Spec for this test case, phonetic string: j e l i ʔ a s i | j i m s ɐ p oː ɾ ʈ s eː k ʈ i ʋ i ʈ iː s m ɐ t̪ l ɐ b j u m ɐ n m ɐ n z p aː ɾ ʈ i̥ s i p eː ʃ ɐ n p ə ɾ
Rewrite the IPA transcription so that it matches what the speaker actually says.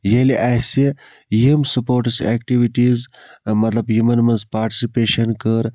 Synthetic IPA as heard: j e l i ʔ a s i | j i m s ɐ p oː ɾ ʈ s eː k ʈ i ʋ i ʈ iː z m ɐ t̪ l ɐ b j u m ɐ n m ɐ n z p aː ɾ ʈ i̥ s i p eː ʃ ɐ n k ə ɾ